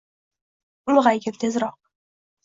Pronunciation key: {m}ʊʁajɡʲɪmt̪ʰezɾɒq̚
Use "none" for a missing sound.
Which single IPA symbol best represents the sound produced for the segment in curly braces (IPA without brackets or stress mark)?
m